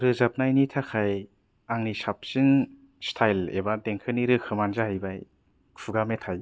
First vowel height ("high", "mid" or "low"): high